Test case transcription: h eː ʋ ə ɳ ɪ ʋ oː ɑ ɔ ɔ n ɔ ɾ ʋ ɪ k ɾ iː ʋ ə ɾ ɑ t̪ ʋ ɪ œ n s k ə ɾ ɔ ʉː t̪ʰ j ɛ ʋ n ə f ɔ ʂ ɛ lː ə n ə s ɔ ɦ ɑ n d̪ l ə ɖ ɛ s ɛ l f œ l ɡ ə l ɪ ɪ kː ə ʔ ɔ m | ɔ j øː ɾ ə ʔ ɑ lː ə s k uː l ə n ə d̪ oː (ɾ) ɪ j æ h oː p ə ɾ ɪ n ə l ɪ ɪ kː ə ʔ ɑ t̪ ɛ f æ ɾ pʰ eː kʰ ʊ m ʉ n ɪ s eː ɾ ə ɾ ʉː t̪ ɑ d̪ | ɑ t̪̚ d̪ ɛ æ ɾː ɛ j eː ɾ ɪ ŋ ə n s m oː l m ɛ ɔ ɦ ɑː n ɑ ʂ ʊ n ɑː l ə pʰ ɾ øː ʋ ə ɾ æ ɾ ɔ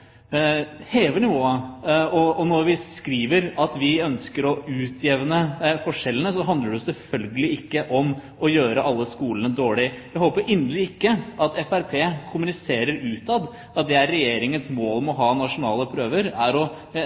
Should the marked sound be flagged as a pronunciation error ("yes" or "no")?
yes